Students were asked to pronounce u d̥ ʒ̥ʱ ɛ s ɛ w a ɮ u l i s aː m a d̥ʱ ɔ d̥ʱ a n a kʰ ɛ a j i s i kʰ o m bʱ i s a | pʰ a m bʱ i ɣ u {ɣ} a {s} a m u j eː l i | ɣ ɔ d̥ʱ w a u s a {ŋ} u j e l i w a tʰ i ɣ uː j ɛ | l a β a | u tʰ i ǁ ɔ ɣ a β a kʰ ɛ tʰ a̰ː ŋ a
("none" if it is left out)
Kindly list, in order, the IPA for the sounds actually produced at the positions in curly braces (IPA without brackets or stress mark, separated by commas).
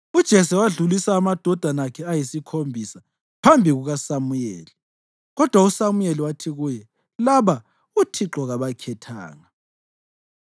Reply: ɣ, s, m